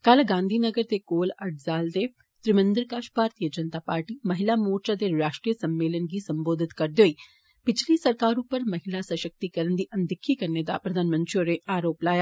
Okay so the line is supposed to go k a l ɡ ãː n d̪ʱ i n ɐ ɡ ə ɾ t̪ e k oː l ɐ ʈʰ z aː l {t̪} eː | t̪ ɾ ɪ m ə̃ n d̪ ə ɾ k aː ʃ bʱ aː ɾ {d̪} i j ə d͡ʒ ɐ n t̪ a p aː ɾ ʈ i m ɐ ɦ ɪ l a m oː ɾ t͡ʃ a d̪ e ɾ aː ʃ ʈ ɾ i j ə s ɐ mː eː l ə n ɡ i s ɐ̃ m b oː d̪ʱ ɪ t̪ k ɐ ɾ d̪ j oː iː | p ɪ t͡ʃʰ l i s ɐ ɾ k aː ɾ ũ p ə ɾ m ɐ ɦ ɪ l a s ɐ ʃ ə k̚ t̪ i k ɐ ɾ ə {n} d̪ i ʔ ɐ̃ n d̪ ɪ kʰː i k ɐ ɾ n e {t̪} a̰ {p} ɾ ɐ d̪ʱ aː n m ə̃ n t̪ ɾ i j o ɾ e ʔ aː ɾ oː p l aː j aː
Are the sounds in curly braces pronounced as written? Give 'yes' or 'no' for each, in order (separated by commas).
no, no, yes, no, yes